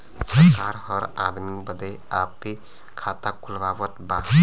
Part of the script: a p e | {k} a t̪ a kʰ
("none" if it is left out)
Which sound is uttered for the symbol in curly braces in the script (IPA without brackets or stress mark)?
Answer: kʰ